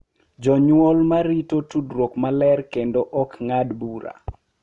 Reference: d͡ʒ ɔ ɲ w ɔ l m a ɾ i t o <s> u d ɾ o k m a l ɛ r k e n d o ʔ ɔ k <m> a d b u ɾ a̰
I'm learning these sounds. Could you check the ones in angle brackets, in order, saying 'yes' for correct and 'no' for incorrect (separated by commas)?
no, no